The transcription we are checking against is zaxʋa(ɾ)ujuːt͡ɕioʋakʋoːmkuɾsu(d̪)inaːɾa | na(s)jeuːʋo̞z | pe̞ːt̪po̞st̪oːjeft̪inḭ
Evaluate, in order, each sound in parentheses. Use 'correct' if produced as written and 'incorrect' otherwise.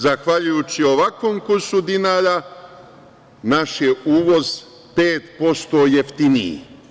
incorrect: ʎ, correct, incorrect: ʃ

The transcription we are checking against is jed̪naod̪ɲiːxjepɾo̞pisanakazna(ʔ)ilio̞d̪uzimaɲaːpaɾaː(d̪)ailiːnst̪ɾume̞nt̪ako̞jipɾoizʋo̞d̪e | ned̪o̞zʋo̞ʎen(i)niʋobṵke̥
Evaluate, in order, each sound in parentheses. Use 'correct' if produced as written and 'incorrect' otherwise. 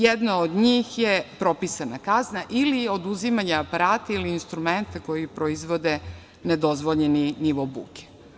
correct, incorrect: t̪, correct

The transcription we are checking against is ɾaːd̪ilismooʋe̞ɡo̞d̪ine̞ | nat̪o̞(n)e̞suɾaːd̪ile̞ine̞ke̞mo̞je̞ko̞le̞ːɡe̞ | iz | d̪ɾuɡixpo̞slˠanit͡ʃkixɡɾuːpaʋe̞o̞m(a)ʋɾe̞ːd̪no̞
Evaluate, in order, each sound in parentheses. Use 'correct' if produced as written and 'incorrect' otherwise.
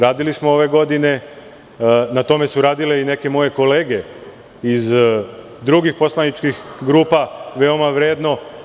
incorrect: m, correct

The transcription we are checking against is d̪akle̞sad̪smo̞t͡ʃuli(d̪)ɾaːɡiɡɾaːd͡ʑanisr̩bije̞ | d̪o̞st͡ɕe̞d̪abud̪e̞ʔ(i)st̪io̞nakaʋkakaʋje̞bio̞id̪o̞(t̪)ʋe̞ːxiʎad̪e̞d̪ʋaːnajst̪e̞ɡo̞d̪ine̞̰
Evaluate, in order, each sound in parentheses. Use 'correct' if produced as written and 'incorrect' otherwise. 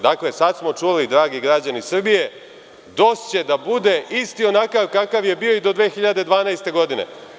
correct, correct, incorrect: d̪

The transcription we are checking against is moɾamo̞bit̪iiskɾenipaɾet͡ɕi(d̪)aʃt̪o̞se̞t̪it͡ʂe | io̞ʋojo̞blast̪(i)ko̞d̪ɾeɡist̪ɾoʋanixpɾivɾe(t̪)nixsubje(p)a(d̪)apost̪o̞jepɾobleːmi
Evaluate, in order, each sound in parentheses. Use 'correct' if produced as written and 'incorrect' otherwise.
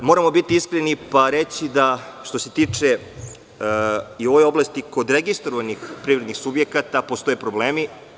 correct, correct, incorrect: d̪, incorrect: k, incorrect: t̪

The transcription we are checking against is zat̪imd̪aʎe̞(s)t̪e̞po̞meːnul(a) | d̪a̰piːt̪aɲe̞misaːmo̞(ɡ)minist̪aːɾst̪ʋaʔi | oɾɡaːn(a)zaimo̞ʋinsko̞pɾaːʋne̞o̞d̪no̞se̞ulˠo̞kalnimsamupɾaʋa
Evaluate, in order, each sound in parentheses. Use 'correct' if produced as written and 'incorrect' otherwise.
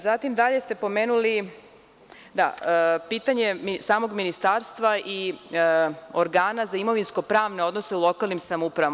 correct, incorrect: i, correct, correct

